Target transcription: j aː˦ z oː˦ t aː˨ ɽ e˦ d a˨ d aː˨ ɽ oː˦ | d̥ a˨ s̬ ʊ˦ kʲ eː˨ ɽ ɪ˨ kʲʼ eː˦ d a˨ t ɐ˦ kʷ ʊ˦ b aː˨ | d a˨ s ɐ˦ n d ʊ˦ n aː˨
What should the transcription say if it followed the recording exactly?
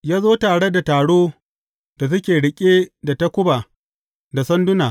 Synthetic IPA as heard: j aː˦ z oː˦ t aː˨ ɽ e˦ d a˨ t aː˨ ɽ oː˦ | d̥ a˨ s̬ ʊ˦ kʲ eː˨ ɽ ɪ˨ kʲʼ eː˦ d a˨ t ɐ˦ kʷ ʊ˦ b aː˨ | d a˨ s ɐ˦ n d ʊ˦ n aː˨